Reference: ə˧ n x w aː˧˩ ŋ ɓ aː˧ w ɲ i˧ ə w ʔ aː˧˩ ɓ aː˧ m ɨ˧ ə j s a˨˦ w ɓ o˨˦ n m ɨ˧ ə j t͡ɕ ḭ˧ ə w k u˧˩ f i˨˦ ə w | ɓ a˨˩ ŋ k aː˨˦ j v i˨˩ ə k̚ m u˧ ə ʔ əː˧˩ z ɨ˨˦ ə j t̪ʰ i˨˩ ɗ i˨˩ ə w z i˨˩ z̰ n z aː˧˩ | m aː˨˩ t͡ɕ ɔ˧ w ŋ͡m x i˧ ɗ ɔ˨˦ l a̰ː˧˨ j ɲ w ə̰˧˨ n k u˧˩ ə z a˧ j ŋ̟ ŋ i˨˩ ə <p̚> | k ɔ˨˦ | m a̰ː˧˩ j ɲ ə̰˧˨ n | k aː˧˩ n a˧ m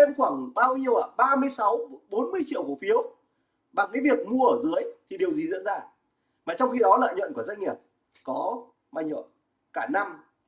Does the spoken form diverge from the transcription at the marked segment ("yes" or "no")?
no